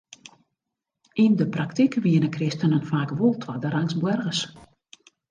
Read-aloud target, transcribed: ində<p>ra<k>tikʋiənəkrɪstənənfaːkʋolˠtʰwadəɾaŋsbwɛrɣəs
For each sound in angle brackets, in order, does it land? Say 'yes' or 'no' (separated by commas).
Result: yes, yes